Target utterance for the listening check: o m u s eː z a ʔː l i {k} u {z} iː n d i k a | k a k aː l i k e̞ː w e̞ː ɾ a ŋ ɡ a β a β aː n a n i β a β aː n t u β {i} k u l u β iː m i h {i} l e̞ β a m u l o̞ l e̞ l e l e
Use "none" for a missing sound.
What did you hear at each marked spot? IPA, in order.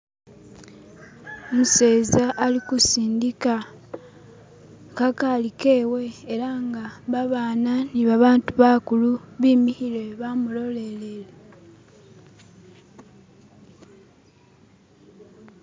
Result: k, s, a, i

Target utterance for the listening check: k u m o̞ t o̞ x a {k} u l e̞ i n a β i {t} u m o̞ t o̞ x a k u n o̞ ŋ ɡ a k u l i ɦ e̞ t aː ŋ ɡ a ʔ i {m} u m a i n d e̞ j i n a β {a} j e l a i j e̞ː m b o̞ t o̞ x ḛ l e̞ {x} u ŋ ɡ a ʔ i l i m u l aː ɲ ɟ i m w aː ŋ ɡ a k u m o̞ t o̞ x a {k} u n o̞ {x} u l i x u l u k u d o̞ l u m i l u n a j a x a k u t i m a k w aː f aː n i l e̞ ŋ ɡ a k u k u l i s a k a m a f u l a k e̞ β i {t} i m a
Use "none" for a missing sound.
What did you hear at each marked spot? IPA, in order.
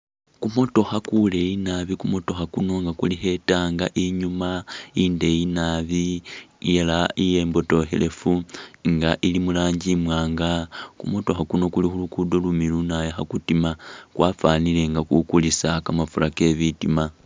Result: k, k, ɲ, i, f, k, k, t

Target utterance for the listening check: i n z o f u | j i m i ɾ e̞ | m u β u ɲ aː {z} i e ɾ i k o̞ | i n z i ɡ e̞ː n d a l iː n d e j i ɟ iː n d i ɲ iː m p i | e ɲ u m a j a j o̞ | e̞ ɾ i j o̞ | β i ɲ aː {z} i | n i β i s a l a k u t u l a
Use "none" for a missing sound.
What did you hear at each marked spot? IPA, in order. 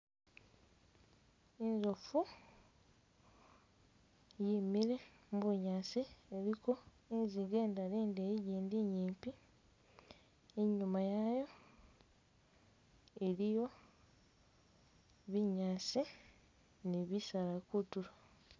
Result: s, s

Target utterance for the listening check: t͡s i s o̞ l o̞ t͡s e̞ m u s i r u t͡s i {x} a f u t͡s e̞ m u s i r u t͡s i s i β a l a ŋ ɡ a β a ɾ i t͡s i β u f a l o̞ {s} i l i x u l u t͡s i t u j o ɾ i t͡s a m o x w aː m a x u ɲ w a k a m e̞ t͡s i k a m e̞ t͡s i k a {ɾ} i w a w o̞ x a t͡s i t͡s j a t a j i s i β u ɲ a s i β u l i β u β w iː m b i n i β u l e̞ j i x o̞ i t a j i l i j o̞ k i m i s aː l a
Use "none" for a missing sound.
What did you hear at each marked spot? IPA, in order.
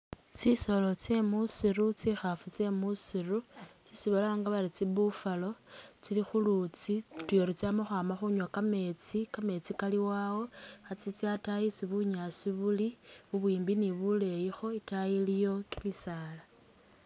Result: x, t͡s, l

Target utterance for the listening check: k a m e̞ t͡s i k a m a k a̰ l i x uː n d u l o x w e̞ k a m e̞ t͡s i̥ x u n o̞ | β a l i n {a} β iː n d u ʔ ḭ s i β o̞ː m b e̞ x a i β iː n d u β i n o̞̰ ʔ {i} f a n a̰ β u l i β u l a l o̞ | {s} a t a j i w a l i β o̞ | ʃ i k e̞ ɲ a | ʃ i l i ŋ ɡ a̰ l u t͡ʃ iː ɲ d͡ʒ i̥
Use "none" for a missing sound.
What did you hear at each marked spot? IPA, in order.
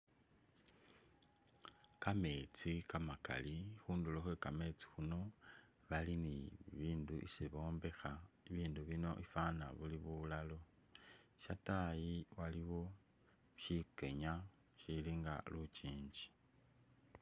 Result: i, i, ʃ

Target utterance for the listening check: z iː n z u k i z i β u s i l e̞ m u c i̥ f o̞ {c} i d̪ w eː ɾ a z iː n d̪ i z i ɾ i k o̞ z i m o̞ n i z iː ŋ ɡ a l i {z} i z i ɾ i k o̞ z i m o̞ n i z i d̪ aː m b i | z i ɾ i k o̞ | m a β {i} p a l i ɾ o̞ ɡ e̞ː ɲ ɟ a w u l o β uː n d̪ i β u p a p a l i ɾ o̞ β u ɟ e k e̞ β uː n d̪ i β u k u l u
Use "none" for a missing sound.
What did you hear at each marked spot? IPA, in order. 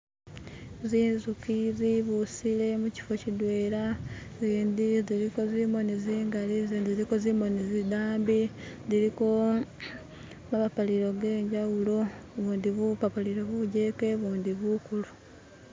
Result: c, z, a

